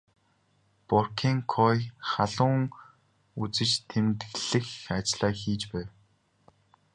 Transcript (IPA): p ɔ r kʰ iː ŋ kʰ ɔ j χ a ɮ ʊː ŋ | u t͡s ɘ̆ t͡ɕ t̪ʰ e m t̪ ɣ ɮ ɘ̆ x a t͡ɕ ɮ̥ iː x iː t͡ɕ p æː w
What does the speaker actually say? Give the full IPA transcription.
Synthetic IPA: p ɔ r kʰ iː ŋ kʰ ɔ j χ a ɮ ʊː ŋ | u t͡s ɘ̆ t͡ɕ t̪ʰ e m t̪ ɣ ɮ ɘ̆ x a t͡ɕ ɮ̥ aː x iː t͡ɕ p æː w

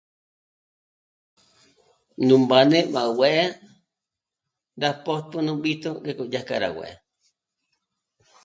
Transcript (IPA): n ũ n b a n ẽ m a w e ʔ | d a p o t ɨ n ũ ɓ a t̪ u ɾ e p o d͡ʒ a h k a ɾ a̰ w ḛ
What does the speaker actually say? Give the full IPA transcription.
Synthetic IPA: n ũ m b a n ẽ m a w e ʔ | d a p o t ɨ n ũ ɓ i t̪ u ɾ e k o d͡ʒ a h k a ɾ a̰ w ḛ

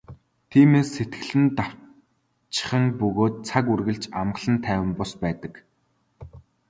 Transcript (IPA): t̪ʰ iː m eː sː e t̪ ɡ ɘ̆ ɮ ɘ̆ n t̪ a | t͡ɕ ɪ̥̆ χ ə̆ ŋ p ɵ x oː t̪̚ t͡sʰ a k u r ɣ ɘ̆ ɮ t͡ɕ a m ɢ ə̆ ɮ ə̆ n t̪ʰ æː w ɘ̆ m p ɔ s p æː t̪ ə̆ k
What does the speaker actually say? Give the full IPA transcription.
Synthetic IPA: t̪ʰ iː m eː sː e t̪ ɡ ɘ̆ ɮ ɘ̆ n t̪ a | t͡ɕ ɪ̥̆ χ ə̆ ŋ p ɵ ɣ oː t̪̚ t͡sʰ a k u r ɣ ɘ̆ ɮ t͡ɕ a m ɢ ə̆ ɮ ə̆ n t̪ʰ æː w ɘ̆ m p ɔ s p æː t̪ ə̆ k

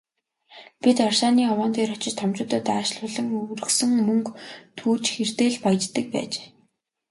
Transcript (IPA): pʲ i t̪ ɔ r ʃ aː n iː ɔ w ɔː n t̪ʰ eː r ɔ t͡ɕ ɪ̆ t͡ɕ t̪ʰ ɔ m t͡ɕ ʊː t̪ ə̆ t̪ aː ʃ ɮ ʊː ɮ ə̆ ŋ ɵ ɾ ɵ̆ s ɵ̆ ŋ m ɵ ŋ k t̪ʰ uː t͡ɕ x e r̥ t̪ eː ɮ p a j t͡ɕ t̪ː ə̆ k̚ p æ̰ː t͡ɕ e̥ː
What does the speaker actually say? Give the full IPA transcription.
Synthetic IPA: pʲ i t̪ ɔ r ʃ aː n iː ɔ w ɔː n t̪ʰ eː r ɔ t͡ɕ ɪ̆ t͡ɕ t̪ʰ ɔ m t͡ɕ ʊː t̪ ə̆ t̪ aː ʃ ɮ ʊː ɮ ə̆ ŋ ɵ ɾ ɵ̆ s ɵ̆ ŋ m ɵ ŋ k t̪ʰ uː t͡ɕ x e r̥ t̪ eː ɮ p a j t͡ɕ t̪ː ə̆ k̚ p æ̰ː t͡ɕ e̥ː

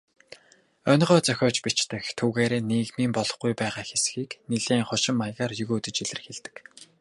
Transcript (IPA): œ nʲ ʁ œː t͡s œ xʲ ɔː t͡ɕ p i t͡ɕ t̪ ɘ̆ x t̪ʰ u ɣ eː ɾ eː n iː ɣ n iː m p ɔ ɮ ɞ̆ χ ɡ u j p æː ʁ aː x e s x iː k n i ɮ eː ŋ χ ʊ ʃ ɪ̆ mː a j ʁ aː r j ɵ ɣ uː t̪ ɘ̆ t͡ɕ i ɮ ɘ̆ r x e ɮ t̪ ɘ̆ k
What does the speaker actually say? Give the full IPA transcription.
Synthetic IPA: œ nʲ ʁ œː t͡s œ xʲ ɔː t͡ɕ p i t͡ɕ t̪ ɘ̆ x t̪ʰ u ɣ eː ɾ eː n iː ɣ m iː m p ɔ ɮ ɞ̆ χ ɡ u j p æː ʁ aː x e s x iː k n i ɮ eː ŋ χ ʊ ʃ ɪ̆ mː a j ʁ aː r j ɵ ɣ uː t̪ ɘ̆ t͡ɕ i ɮ ɘ̆ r x e ɮ t̪ ɘ̆ k

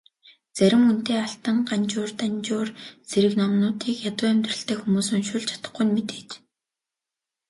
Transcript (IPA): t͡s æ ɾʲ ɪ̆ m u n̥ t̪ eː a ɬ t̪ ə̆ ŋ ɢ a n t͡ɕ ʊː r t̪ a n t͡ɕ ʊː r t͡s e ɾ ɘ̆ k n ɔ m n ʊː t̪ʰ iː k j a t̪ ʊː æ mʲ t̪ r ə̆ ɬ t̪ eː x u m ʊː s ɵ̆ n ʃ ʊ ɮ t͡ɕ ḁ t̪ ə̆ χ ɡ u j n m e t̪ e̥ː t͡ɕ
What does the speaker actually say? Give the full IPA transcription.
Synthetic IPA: t͡s æ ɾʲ ɪ̆ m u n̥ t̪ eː a ɬ t̪ ə̆ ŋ ɢ a n t͡ɕ ʊː r t̪ a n t͡ɕ ʊː r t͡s e ɾ ɘ̆ k n ɔ m n ʊː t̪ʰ iː k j a t̪ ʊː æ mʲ t̪ r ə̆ ɬ t̪ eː x u m uː s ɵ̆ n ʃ ʊ ɮ t͡ɕʰ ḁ t̪ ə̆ χ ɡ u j n m e t̪ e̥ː t͡ɕ

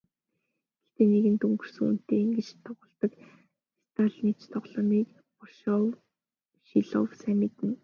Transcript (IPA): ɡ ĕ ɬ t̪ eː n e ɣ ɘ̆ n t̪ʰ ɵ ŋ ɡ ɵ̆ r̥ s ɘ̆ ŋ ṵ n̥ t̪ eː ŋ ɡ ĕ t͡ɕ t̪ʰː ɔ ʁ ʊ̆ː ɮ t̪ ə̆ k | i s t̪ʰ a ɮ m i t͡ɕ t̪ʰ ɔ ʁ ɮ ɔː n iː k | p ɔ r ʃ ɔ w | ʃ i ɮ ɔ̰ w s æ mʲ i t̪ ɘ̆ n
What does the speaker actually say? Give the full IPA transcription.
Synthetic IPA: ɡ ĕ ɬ t̪ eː n e ɣ ɘ̆ n t̪ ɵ ŋ ɡ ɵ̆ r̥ s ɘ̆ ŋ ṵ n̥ t̪ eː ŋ ɡ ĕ t͡ɕ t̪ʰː ɔ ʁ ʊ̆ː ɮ t̪ ə̆ k | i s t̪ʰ a ɮ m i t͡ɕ t̪ʰ ɔ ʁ ɮ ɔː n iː k | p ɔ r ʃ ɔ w | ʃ i ɮ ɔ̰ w s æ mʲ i t̪ ɘ̆ n

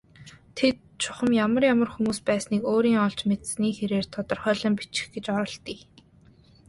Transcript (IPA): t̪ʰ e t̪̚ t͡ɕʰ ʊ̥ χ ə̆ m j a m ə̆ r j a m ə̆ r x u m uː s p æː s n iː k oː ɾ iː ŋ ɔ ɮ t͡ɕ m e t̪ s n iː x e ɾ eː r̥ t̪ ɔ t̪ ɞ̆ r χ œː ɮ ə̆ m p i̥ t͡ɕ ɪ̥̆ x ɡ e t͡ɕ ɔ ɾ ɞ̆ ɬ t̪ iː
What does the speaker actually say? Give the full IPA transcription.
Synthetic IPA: t̪ʰ e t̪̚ t͡ɕʰ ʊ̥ χ ə̆ m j a m ə̆ r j a m ə̆ r x u m uː s p æː s n iː k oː ɾ iː ŋ ɔ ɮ t͡ɕ m e t̪ s n iː x e ɾ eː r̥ t̪ʰ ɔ t̪ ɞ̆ r χ œː ɮ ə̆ m p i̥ t͡ɕ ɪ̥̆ x ɡ e t͡ɕ ɔ ɾ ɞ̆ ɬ t̪ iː

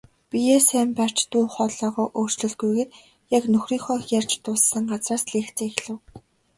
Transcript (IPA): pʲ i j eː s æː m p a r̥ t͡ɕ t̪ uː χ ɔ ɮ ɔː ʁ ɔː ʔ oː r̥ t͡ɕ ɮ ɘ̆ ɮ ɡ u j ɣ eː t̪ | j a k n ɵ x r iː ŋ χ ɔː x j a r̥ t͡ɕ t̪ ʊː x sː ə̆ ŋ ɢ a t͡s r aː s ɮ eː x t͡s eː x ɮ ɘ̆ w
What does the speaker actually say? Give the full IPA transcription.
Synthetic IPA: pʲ i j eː s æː m p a r̥ t͡ɕ t̪ uː χ ɔ ɮ ɔː ʁ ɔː ʔ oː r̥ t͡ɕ ɮ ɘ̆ ɮ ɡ u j ɣ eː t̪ | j a k n ɵ x r iː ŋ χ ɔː x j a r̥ t͡ɕ t̪ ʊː s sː ə̆ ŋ ɢ a t͡s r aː s ɮ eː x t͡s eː x ɮ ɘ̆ w

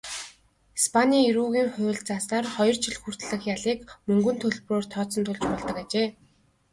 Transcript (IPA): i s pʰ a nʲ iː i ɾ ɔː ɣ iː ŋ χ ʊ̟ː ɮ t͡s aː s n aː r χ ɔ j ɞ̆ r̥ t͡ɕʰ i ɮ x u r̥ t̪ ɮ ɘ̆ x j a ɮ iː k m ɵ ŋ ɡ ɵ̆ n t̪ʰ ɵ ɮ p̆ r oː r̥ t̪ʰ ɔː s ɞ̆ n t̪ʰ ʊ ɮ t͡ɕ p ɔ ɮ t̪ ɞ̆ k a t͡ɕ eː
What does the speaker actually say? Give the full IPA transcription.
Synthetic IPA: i s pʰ a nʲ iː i ɾ uː ɣ iː ŋ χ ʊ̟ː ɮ t͡s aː s n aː r χ ɔ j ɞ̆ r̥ t͡ɕʰ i ɮ x u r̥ t̪ ɮ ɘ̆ x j a ɮ iː k m ɵ ŋ ɡ ɵ̆ n t̪ʰ ɵ ɮ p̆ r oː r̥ t̪ʰ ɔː t͡s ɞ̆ n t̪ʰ ʊ ɮ t͡ɕ p ɔ ɮ t̪ ɞ̆ k a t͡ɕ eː

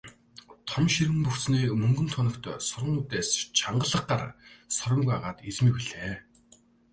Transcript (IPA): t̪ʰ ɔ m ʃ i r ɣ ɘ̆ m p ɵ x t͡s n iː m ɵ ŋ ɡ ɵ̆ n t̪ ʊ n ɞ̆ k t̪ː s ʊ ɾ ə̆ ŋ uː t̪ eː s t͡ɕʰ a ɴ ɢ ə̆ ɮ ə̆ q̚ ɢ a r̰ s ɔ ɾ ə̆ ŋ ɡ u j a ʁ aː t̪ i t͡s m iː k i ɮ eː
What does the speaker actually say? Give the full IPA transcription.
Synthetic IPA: t̪ʰ ɔ m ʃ i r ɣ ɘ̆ m p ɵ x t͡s n iː m ɵ ŋ ɡ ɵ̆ n t̪ʰ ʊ n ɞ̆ k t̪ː s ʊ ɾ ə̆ ŋ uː t̪ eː s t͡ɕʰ a ɴ ɢ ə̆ ɮ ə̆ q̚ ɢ a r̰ s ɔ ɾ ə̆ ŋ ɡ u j a ʁ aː t̪ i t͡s m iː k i ɮ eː

